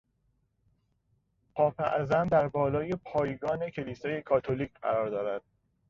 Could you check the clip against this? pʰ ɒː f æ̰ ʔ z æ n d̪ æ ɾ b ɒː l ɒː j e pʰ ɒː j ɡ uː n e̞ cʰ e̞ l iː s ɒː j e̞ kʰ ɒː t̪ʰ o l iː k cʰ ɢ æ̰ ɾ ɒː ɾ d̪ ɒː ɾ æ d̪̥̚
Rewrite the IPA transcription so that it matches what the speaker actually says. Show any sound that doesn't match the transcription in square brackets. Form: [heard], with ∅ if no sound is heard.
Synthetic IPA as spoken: pʰ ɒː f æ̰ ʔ z æ n d̪ æ ɾ b ɒː l ɒː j e pʰ ɒː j ɡ [ɒː] n e̞ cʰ e̞ l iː s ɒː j e̞ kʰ ɒː t̪ʰ o l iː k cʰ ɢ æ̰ ɾ ɒː ɾ d̪ ɒː ɾ æ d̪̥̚